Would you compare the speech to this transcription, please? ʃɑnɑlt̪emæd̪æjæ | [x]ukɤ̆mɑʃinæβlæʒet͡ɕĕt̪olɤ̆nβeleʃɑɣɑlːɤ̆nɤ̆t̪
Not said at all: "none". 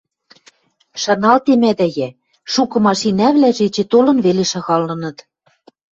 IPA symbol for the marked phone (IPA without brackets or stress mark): ʃ